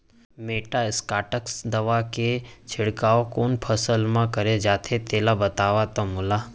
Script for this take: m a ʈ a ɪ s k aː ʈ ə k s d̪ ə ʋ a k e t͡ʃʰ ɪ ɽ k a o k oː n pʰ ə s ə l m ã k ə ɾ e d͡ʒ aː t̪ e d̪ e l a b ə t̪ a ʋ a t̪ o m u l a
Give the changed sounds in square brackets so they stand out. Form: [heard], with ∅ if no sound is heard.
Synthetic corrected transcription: m [e] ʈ a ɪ s k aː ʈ ə k s d̪ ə ʋ a k e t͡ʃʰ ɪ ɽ k a o k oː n pʰ ə s ə l m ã k ə ɾ e d͡ʒ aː [t̪ʰ] e [t̪] e l a b ə t̪ a ʋ a t̪ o m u l a